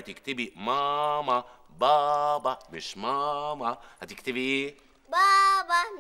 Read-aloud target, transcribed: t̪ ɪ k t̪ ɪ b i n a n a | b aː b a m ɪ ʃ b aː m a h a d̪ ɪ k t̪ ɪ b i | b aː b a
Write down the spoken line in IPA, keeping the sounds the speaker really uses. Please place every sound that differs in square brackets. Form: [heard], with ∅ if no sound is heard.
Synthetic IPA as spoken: t̪ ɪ k t̪ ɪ b i [m] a [m] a | b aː b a m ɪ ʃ [m] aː m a h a [t̪] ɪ k t̪ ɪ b i | b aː b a